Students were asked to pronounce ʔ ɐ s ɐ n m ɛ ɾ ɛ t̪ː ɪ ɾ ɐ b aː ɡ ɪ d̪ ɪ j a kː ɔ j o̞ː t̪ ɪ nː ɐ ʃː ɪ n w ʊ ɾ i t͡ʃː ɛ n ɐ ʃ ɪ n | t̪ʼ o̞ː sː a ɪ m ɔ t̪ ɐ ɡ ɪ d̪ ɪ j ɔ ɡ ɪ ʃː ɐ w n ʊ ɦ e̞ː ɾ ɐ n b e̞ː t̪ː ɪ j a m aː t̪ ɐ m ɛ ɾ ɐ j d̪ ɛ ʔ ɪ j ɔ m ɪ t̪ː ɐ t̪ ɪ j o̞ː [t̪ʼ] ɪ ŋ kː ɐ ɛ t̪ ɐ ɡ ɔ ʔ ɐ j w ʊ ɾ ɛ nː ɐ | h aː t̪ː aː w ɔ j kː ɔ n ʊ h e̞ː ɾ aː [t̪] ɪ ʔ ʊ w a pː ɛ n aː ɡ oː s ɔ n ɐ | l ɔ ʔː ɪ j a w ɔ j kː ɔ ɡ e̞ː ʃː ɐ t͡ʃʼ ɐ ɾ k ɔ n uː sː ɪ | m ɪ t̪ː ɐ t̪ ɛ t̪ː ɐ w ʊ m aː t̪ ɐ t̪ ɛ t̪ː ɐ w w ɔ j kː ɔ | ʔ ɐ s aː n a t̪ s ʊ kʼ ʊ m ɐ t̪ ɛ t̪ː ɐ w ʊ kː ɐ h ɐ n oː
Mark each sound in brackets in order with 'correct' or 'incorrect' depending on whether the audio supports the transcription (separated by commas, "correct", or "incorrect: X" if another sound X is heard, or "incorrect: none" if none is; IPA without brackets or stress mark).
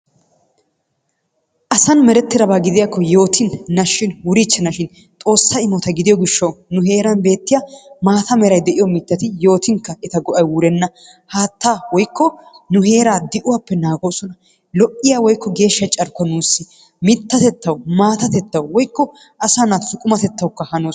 incorrect: t̪, incorrect: d̪